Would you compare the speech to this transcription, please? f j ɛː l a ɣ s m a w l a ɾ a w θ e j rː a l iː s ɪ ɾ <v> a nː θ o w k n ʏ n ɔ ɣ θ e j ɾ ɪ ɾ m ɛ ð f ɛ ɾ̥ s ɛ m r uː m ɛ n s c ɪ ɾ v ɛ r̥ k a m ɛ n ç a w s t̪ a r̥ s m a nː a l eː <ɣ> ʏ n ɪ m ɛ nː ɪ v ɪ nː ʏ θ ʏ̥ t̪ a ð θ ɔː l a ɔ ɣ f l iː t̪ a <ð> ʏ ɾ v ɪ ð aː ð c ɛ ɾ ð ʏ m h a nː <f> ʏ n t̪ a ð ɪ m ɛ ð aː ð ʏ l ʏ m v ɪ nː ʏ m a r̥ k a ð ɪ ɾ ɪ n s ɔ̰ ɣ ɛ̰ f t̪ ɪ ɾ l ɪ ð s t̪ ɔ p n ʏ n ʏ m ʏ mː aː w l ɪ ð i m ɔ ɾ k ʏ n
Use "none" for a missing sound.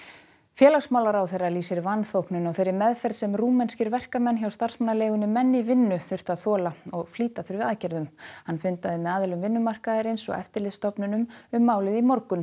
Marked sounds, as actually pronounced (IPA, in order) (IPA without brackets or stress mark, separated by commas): v, ɣ, θ, f